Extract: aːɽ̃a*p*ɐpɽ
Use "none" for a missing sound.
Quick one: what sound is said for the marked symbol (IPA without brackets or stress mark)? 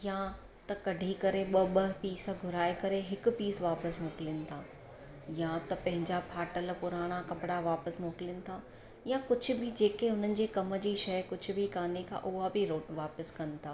k